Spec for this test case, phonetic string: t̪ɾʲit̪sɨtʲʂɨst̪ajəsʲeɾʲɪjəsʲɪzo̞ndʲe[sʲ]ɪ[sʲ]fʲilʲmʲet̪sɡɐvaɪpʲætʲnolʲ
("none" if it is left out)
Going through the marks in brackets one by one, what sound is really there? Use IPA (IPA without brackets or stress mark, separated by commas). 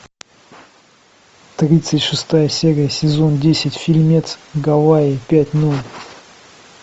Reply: sʲ, tʲ